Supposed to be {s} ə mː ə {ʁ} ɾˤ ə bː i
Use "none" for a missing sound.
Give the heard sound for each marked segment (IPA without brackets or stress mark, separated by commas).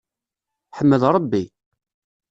ħ, ð